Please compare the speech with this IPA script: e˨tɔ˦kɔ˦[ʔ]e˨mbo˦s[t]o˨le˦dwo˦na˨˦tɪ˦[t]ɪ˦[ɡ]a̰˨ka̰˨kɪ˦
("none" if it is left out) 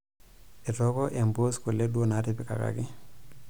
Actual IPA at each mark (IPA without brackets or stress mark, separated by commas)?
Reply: ʔ, k, p, k